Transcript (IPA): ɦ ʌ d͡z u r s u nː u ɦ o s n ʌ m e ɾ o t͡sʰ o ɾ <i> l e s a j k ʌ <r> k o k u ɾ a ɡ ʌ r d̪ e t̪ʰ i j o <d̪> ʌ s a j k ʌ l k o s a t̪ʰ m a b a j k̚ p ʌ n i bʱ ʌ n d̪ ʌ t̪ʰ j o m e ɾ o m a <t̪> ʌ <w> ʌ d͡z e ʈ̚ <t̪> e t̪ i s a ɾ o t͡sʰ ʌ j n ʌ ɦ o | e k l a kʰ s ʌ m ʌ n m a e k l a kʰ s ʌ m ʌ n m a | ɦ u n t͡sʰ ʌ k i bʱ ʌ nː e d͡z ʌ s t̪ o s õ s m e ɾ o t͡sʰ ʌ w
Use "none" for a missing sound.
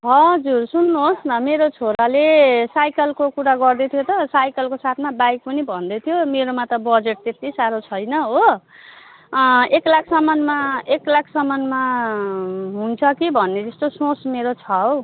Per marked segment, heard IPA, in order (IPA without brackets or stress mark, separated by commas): a, l, t̪, t̪, b, t̪